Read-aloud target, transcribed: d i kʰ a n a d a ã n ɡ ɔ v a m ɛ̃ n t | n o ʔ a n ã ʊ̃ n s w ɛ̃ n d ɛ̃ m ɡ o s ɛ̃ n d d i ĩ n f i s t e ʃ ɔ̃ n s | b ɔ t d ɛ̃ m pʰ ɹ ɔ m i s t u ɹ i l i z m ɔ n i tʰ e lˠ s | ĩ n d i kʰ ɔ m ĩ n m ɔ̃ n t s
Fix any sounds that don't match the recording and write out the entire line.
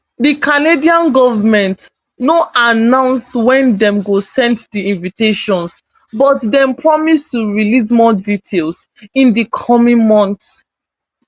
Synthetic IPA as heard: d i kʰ a n e d i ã n ɡ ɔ v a m ɛ̃ n t | n o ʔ a n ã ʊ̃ n s w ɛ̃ n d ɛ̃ m ɡ o s ɛ̃ n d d i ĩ n v i t e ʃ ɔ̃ n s | b ɔ t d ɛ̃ m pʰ ɹ ɔ m i s t u ɹ i l i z m ɔ d i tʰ e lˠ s | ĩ n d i kʰ ɔ m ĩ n m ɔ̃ n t s